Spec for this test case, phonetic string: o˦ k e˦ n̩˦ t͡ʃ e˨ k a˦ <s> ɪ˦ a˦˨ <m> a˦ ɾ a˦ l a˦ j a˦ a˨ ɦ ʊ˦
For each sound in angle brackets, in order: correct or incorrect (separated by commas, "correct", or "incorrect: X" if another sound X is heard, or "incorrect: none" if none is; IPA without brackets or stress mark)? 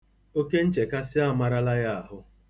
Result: correct, correct